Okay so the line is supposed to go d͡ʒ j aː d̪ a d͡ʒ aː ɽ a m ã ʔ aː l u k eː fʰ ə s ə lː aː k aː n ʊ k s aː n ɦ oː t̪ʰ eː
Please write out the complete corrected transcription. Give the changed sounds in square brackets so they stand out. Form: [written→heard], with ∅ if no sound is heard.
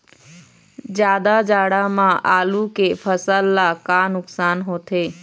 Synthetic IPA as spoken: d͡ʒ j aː d̪ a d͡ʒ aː ɽ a m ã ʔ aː l u k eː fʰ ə s ə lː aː k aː n ʊ k s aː n ɦ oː t̪ʰ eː

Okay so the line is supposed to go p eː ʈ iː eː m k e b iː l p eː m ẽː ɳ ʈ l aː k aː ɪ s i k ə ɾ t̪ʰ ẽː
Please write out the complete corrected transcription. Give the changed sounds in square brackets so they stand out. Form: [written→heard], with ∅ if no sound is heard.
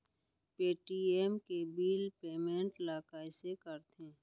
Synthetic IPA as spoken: p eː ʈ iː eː m k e b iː l p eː m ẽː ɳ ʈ l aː k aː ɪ s [i→e] k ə ɾ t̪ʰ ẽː

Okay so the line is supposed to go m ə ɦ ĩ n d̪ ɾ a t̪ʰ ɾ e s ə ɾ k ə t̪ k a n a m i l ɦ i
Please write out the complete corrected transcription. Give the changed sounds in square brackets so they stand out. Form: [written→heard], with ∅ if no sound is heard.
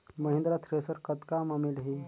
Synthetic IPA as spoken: m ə ɦ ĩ n d̪ ɾ a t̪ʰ ɾ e s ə ɾ k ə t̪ k a [n→m] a m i l ɦ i

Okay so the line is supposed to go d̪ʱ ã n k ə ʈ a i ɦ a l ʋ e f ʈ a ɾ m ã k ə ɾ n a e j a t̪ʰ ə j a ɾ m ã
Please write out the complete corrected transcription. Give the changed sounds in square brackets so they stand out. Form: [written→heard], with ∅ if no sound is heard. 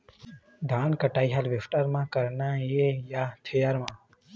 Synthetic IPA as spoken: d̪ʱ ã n k ə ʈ a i ɦ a l ʋ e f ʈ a ɾ m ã k ə ɾ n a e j a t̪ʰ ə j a ɾ m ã

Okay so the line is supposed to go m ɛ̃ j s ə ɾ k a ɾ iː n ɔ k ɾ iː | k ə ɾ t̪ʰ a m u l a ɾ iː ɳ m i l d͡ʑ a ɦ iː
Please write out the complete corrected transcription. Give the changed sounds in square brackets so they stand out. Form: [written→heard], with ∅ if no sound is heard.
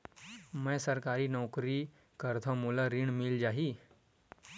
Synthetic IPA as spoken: m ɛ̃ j s ə ɾ k a ɾ iː n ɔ k ɾ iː | k ə ɾ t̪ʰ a m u l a ɾ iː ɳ m i l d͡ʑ a ɦ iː

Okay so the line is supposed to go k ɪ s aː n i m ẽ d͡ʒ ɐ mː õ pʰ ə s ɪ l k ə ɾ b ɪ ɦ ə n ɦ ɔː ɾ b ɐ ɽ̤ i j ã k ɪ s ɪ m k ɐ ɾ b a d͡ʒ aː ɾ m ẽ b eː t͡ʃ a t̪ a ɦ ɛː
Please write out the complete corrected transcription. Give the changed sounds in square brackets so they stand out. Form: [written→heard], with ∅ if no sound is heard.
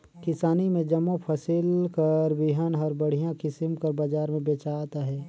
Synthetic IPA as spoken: k ɪ s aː n i m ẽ d͡ʒ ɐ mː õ pʰ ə s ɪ l k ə ɾ b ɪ ɦ ə n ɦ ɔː ɾ b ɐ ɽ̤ i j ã k ɪ s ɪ m k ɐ ɾ b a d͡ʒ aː ɾ m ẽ b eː t͡ʃ a t̪ a ɦ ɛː

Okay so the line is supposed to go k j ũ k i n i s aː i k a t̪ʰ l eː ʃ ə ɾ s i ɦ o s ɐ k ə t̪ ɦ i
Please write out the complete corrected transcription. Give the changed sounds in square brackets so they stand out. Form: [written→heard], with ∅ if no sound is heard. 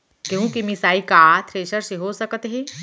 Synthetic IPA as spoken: k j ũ k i [n→m] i s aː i k a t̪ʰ [l→ɾ] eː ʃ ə ɾ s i ɦ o s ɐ k ə t̪ ɦ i

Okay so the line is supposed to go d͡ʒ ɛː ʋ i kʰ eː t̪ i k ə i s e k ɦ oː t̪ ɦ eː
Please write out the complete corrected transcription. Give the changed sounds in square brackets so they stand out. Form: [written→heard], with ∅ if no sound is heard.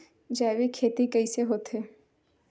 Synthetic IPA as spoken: d͡ʒ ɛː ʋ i kʰ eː t̪ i k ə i s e [k→∅] ɦ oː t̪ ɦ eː

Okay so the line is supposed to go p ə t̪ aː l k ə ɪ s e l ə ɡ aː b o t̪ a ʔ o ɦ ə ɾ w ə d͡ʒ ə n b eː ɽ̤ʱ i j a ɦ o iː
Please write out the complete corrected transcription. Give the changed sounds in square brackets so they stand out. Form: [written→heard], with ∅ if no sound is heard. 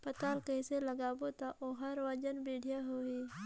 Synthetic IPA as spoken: p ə t̪ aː l k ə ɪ s e l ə ɡ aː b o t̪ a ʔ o ɦ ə ɾ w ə d͡ʒ ə n b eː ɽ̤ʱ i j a ɦ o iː

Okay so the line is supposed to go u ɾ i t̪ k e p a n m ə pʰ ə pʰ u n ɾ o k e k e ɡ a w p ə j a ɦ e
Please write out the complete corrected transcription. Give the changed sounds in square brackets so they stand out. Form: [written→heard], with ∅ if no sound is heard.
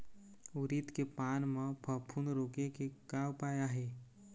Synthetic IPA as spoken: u ɾ i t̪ k e p a n m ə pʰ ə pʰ u n ɾ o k e k e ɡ a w p [ə→a] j a ɦ e

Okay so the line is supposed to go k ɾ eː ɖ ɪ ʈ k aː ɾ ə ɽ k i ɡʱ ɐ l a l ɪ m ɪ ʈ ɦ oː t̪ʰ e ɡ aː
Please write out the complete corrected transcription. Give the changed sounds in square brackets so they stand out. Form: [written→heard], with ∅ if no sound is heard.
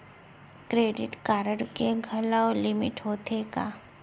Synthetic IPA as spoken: k ɾ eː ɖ ɪ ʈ k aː ɾ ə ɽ k [i→e] ɡʱ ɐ l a l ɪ m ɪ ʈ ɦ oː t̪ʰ e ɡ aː

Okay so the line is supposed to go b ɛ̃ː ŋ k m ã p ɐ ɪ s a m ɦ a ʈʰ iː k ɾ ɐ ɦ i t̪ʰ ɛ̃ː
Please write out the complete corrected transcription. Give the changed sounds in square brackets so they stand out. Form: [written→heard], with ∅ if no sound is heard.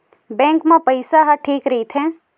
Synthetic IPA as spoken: b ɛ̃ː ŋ k m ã p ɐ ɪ s a [m→∅] ɦ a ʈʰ iː k ɾ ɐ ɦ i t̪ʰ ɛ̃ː

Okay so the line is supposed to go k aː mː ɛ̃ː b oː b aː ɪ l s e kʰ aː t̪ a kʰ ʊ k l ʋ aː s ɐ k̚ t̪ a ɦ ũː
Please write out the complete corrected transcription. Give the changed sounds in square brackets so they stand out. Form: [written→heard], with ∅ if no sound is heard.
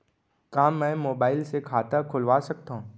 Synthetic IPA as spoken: k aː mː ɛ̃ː [b→m] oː b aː ɪ l s e kʰ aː t̪ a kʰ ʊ [k→∅] l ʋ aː s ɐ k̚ t̪ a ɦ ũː

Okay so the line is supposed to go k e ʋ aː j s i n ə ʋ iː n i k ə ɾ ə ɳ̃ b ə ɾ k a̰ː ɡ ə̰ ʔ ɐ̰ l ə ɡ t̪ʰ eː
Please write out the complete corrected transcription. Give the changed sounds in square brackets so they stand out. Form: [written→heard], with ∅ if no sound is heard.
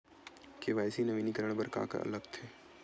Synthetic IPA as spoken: k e ʋ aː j s i n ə ʋ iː n i k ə ɾ ə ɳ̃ b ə ɾ k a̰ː [ɡ→k] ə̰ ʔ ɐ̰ l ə ɡ t̪ʰ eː

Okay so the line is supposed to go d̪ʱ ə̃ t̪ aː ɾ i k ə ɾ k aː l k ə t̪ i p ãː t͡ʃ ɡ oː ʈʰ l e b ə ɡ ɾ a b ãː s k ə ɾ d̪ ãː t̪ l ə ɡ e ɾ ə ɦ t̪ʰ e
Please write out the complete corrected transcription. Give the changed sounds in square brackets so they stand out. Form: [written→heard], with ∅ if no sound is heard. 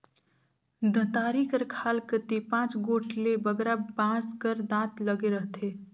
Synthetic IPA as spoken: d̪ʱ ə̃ t̪ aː ɾ i k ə ɾ [k→kʰ] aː l k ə t̪ i p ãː t͡ʃ ɡ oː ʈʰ l e b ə ɡ ɾ a b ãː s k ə ɾ d̪ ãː t̪ l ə ɡ e ɾ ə ɦ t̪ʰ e

